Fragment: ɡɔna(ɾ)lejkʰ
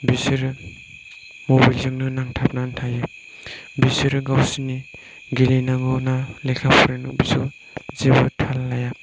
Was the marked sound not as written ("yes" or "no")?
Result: yes